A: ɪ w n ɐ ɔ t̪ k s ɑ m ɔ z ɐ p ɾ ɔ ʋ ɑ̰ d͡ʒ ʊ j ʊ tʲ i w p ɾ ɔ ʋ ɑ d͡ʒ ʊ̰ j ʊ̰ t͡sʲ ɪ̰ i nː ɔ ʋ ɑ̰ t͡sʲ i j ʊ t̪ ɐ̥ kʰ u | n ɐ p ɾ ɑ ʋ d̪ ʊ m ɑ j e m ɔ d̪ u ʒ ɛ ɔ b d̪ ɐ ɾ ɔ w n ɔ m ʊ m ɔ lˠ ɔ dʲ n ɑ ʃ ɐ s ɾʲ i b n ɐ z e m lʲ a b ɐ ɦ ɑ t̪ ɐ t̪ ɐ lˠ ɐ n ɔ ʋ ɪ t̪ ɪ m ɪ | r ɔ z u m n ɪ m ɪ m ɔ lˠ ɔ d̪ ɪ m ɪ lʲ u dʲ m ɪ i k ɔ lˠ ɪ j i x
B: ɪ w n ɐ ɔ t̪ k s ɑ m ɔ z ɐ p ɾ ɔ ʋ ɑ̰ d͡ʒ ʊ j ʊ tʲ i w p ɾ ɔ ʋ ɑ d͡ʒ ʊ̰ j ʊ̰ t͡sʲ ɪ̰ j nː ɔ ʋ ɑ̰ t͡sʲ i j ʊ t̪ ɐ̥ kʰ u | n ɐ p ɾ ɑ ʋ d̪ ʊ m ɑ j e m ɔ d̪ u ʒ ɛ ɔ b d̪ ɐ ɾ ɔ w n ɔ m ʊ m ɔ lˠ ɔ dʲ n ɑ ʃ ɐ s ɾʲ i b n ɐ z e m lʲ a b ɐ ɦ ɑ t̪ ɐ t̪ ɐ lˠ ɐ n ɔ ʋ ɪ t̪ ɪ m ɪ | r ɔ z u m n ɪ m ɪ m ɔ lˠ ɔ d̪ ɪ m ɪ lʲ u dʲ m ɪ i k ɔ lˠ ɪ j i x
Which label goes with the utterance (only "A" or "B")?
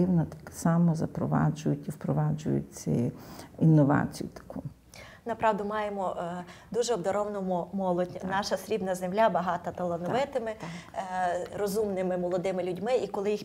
A